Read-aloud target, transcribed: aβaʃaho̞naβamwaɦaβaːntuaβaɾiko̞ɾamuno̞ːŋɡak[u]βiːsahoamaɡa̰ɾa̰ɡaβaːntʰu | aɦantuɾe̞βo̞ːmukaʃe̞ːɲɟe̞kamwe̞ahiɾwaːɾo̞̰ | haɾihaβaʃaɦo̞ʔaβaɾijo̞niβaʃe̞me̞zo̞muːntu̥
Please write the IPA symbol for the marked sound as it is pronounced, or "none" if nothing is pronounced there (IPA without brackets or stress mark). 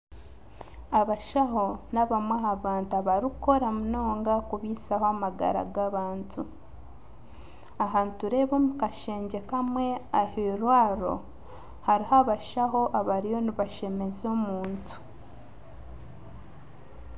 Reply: u